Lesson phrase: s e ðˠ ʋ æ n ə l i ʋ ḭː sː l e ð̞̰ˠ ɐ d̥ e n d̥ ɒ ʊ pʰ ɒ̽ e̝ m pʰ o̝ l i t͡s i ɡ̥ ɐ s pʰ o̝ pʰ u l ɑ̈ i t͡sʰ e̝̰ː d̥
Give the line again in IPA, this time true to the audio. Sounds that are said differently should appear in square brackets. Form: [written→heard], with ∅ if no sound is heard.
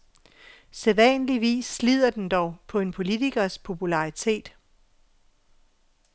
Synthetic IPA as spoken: s e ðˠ ʋ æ n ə l i ʋ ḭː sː l [e→i] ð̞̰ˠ ɐ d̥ e n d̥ ɒ ʊ pʰ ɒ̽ e̝ [m→n] pʰ o̝ l i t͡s i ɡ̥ ɐ s pʰ o̝ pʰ u l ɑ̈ i t͡sʰ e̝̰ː d̥